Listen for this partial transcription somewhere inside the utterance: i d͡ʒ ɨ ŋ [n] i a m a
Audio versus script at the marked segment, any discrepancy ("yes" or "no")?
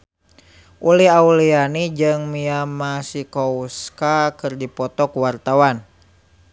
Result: yes